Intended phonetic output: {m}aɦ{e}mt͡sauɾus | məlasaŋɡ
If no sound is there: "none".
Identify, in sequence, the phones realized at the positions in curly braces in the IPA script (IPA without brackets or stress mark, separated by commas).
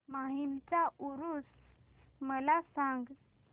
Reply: m, i